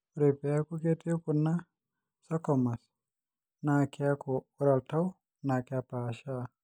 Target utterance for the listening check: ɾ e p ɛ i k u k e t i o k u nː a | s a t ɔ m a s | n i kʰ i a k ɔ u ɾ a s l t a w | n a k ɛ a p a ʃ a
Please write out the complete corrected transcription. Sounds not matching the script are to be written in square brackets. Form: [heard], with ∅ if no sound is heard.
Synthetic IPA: ɾ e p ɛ [a] k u k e t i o k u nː a | s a [k] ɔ m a s | n [a] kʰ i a k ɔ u ɾ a [∅] l t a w | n a k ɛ a p a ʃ a